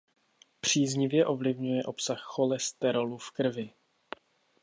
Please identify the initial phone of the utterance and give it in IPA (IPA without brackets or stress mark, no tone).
p